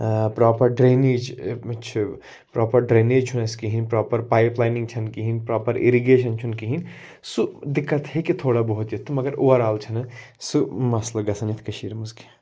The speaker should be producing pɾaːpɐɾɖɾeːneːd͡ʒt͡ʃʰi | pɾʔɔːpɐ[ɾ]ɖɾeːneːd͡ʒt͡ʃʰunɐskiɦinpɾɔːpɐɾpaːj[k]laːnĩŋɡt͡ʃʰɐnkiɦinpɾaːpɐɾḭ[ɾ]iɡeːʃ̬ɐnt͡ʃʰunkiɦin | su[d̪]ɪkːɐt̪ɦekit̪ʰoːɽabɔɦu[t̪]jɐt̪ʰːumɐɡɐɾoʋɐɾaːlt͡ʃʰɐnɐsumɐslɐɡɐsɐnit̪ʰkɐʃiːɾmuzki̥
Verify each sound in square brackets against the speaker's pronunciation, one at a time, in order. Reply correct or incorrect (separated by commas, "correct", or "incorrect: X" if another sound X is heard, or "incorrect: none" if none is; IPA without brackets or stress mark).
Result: correct, incorrect: p, correct, correct, correct